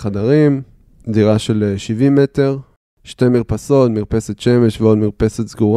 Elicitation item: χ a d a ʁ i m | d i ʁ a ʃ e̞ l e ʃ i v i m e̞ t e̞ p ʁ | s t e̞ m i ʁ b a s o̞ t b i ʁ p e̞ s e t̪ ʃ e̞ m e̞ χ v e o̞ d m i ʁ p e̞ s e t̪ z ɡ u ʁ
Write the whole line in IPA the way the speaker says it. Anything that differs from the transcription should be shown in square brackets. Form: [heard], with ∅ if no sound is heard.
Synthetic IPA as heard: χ a d a ʁ i m | d i ʁ a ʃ e̞ l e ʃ i v i m e̞ t e̞ [∅] ʁ | [ʃ] t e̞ m i ʁ [p] a s o̞ t [m] i ʁ p e̞ s e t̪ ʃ e̞ m e̞ [ʃ] v e o̞ d m i ʁ p e̞ s e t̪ z ɡ u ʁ